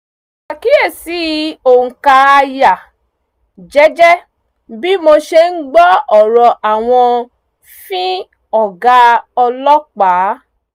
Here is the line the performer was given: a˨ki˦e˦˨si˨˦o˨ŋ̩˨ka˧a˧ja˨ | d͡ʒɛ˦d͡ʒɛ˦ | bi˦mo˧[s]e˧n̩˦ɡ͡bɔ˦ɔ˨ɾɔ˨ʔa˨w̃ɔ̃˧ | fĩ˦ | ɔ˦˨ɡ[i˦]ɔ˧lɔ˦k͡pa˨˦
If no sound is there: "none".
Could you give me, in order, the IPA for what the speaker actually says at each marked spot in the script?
ʃ, a˦

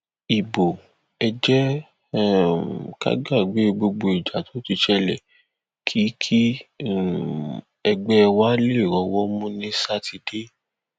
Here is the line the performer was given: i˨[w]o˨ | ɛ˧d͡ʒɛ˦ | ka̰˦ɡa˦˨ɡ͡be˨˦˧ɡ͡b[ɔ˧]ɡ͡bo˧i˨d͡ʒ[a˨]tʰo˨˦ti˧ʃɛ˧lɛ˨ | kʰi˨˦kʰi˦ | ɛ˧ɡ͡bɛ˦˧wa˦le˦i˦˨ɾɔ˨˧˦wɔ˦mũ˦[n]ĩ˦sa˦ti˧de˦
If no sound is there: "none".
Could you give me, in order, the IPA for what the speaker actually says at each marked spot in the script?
b, o˧, a˨, n

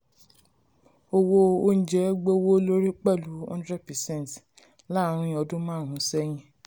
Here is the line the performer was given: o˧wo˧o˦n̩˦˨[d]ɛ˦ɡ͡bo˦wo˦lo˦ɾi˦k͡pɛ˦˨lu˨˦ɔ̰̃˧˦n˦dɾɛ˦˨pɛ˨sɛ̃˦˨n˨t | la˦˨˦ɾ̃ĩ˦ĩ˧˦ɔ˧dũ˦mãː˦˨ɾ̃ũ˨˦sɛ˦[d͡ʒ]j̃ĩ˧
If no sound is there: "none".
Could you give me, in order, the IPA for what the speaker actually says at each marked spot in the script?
d͡ʒ, none

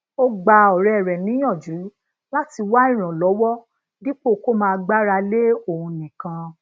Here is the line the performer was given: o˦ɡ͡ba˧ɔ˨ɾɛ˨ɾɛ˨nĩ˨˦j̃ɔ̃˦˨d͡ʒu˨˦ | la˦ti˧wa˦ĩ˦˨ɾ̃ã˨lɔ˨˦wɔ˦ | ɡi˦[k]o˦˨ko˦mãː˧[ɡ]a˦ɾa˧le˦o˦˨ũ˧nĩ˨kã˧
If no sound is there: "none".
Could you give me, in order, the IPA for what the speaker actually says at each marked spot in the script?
k͡p, ɡ͡b

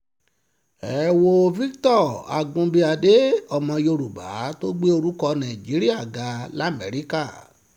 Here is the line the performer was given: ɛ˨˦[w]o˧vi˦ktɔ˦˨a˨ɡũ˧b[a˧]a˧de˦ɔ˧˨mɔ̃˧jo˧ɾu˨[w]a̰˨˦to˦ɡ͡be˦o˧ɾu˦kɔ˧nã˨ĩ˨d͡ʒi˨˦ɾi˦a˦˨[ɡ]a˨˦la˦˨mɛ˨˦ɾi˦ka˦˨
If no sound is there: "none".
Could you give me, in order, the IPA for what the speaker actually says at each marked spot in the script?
w, i˧, b, ɡ

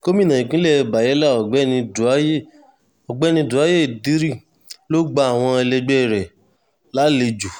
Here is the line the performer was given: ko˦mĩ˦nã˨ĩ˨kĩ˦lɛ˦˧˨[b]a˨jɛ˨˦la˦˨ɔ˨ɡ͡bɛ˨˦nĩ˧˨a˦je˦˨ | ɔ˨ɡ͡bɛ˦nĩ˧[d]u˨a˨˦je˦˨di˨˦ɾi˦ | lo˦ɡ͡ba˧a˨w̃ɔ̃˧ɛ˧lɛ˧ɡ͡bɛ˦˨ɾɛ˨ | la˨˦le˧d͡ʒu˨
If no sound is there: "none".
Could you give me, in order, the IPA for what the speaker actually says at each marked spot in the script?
b, d

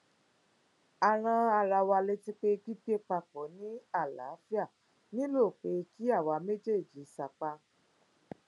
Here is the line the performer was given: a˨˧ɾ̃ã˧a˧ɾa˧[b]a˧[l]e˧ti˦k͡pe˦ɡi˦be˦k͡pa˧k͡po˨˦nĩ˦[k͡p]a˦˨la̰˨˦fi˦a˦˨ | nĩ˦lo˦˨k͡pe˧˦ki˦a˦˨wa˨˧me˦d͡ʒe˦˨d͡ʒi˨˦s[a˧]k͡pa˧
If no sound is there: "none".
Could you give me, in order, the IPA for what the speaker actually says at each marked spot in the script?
w, l, none, a˧

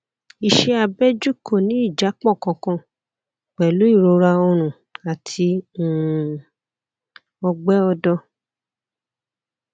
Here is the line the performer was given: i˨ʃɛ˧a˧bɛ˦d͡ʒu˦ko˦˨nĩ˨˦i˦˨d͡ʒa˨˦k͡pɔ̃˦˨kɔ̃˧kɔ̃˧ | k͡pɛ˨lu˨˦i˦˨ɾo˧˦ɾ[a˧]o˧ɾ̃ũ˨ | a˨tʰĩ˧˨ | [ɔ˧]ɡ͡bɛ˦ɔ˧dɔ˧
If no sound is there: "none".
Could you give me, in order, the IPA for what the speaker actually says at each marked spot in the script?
a˧, ɔ˧

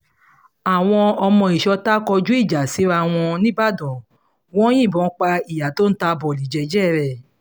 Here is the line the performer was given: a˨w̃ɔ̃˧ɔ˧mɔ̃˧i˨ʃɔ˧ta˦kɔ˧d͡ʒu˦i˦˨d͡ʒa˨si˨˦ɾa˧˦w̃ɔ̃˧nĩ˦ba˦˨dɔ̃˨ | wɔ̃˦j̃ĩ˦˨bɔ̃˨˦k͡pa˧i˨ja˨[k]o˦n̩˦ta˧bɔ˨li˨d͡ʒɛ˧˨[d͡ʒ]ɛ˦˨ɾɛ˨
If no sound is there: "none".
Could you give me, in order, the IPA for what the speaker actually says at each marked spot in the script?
t, d͡ʒ

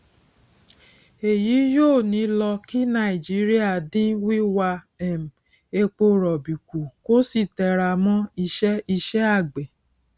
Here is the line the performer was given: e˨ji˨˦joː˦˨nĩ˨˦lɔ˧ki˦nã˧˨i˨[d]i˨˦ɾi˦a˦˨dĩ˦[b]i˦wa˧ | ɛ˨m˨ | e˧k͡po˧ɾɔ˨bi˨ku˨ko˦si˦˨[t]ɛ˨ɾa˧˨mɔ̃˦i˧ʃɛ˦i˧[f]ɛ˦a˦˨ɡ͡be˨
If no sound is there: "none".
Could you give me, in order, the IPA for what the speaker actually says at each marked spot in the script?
d͡ʒ, w, t, ʃ

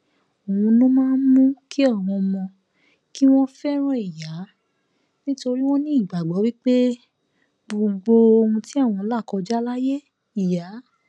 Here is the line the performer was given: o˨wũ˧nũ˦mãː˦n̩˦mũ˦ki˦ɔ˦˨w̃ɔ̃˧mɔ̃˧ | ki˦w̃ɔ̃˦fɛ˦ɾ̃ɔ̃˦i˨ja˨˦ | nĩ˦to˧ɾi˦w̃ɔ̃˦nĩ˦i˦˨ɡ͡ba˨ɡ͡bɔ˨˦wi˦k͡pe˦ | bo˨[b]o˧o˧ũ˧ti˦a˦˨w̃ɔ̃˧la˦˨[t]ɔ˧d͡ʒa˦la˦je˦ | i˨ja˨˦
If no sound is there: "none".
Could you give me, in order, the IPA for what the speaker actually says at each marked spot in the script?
ɡ͡b, k

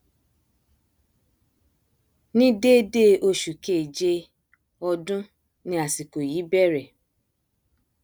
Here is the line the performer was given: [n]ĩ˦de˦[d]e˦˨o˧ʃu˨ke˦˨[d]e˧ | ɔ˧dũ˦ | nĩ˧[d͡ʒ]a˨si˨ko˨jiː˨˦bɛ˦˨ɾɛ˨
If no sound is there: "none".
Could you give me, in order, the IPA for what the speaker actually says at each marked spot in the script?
n, d, d͡ʒ, none

